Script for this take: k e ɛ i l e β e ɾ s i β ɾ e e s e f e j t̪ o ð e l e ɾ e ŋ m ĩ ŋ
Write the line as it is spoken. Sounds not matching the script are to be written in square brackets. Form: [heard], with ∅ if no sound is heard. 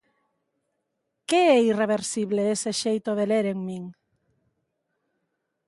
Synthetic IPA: k e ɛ i [r] e β e ɾ s i β [l] e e s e [ʃ] e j t̪ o ð e l e ɾ e ŋ m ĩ ŋ